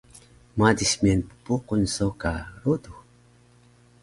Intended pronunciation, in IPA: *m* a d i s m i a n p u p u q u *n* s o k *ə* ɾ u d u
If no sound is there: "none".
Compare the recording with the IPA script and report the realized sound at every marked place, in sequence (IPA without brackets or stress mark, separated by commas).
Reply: m, n, a